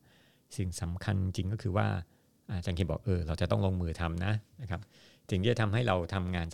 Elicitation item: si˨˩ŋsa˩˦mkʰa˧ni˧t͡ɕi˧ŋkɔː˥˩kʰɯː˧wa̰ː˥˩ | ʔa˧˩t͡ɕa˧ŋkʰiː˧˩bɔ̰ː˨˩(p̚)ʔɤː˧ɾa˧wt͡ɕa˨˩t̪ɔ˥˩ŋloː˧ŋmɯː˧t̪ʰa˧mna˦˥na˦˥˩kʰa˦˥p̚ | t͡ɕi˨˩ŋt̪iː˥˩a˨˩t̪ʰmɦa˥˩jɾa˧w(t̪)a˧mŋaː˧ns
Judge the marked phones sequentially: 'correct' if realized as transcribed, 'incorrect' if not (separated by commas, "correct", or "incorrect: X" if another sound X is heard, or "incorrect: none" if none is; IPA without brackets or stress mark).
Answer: incorrect: k̚, incorrect: t̪ʰ